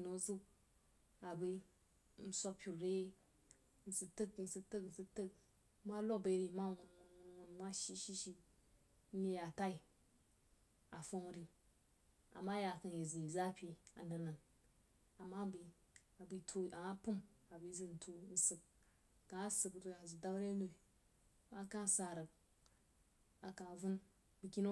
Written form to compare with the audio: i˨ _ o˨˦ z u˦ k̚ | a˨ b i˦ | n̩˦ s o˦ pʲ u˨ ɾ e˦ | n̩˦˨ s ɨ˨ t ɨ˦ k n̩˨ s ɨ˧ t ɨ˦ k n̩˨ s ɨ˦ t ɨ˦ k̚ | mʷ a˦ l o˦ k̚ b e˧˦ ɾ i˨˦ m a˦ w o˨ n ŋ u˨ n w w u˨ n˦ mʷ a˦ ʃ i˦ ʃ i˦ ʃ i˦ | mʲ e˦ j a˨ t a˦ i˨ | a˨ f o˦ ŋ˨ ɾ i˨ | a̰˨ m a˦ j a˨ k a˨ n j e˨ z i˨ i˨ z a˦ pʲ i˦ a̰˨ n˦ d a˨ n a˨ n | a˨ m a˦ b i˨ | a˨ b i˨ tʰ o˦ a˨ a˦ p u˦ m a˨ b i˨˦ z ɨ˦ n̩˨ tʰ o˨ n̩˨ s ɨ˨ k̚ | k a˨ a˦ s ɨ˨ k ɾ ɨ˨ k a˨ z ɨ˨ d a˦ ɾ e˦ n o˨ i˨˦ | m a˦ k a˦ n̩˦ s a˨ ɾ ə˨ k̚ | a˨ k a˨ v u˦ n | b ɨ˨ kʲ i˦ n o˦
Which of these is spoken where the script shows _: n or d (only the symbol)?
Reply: n